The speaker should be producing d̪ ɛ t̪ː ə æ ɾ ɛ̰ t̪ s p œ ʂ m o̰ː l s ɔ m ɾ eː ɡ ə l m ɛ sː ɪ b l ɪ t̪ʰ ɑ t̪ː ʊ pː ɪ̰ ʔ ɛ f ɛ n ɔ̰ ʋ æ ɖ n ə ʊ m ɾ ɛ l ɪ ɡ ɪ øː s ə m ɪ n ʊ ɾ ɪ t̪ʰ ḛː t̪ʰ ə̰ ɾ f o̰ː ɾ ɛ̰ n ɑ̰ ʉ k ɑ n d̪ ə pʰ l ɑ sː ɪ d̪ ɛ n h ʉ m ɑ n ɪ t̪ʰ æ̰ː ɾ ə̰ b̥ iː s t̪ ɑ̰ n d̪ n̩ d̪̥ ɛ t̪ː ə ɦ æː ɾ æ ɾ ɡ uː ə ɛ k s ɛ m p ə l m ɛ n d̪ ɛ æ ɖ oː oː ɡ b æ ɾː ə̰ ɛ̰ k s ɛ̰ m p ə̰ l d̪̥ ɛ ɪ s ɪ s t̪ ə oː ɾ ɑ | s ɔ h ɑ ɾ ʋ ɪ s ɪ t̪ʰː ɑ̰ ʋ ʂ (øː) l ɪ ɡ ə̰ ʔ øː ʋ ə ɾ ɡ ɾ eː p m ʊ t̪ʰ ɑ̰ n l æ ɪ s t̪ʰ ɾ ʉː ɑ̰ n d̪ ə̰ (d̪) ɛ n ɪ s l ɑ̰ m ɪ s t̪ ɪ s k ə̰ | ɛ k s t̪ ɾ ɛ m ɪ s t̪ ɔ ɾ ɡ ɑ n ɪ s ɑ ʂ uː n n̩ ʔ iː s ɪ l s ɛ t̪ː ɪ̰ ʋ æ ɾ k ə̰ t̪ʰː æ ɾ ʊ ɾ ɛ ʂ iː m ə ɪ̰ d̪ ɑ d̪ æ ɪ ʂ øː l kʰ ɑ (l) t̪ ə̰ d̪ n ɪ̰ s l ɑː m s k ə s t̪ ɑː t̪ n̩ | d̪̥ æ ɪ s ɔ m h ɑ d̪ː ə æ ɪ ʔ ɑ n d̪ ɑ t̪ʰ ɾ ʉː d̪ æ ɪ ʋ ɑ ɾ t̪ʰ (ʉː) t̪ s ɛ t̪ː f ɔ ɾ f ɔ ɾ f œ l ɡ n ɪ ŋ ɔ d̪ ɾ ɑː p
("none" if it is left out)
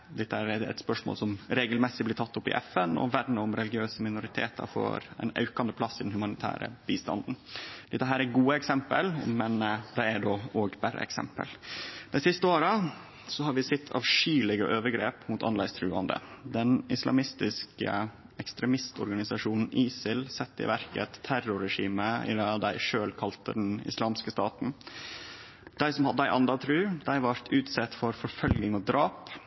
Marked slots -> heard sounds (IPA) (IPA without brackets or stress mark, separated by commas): yː, d̪, l, ʉː